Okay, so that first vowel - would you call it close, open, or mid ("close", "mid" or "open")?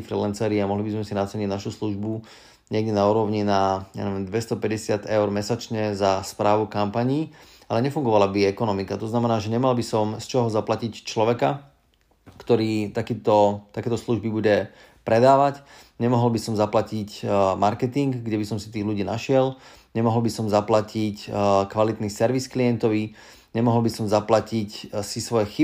close